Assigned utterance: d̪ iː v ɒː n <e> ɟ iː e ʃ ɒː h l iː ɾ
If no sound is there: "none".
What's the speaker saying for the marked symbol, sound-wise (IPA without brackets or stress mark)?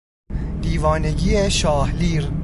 e